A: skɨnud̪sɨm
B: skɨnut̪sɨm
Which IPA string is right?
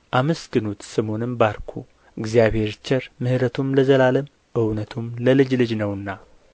B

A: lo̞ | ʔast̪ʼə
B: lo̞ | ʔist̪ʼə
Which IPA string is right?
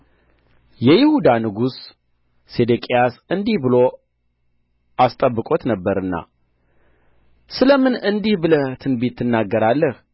A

